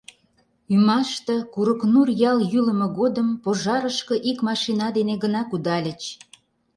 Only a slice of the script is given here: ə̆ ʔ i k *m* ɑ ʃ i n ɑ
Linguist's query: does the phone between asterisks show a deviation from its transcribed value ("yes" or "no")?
no